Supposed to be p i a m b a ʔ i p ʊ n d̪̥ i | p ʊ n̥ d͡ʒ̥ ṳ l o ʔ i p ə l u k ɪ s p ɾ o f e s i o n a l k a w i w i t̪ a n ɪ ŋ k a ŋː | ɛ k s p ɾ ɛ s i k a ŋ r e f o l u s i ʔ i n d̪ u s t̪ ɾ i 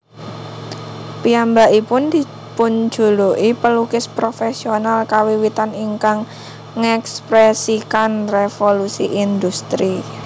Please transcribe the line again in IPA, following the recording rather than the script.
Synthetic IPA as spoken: p i a m b a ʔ i p ʊ n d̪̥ i | p ʊ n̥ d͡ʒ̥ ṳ l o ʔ i p ə l u k ɪ s p ɾ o f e s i o n a l k a w i w i t̪ a n i ŋ k a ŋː | ɛ k s p ɾ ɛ s i k a n r e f o l u s i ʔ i n d̪ u s t̪ ɾ i